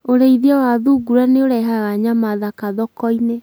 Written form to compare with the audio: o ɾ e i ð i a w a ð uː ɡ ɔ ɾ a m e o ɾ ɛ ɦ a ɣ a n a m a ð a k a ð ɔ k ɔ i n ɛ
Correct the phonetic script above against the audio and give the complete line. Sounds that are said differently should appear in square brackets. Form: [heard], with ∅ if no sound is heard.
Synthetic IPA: o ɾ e i ð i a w a ð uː ɡ [u] ɾ a [n] e o ɾ ɛ ɦ a ɣ a [ɲ] a m a ð a k a ð ɔ k ɔ i n [e]